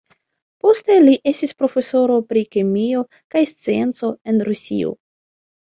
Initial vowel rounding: rounded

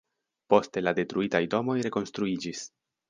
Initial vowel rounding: rounded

